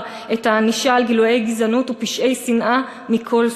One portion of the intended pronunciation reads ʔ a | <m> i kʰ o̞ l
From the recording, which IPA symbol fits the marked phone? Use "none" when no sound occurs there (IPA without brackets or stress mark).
m